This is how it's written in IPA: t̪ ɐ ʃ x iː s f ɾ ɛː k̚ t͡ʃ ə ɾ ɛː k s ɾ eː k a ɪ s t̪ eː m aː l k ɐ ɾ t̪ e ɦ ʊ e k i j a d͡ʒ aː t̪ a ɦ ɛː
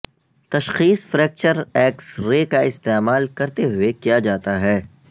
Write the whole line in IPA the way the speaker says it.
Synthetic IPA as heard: t̪ ɐ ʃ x iː s f ɾ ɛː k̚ t͡ʃ ə ɾ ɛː k s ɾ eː k a ɪ s t̪ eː m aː l k ɐ ɾ t̪ e ɦ ʊ e k i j a d͡ʒ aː t̪ a ɦ ɛː

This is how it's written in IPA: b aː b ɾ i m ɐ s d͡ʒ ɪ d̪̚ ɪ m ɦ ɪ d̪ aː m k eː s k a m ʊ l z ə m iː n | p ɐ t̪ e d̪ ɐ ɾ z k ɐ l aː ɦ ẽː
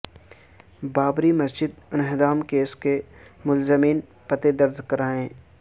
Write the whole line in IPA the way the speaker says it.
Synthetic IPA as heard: b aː b ɾ i m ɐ s d͡ʒ ɪ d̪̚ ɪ n ɦ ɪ d̪ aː m k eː s k e m ʊ l z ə m iː n | p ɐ t̪ e d̪ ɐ ɾ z k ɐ ɾ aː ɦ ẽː

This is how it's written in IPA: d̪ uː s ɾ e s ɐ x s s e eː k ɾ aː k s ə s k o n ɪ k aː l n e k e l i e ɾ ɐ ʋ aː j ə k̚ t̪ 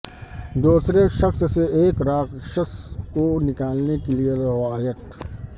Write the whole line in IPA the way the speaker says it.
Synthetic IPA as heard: d̪ uː s ɾ e ʃ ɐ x s s e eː k ɾ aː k ʃ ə s k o n ɪ k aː l n e k e l i e ɾ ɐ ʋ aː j ə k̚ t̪

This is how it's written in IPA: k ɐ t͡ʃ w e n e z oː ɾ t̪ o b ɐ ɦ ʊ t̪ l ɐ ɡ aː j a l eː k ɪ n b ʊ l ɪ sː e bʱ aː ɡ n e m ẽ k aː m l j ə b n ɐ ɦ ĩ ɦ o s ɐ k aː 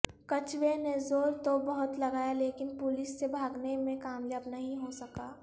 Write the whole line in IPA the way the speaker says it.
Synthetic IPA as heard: k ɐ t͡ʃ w e n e z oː ɾ t̪ o b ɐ ɦ ʊ t̪ l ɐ ɡ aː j a l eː k ɪ n p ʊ l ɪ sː e bʱ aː ɡ n e m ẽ k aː m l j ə b n ɐ ɦ ĩ ɦ o s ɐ k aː

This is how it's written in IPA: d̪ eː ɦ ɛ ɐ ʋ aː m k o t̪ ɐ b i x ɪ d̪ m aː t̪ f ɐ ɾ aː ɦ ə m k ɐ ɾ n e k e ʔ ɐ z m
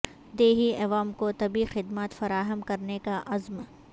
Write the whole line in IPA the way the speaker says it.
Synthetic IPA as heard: d̪ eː ɦ i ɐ ʋ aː m k o t̪ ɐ b i x ɪ d̪ m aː t̪ f ɐ ɾ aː ɦ ə m k ɐ ɾ n e k a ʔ ɐ z m

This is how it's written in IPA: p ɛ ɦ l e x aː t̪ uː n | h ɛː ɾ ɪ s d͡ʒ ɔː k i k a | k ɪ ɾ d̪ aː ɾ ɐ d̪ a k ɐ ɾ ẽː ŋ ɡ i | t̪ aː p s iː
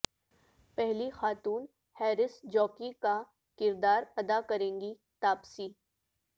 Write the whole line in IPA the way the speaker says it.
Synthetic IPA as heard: p ɛ ɦ l i x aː t̪ uː n | h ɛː ɾ ɪ s d͡ʒ ɔː k i k a | k ɪ ɾ d̪ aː ɾ ɐ d̪ a k ɐ ɾ ẽː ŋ ɡ i | t̪ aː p s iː

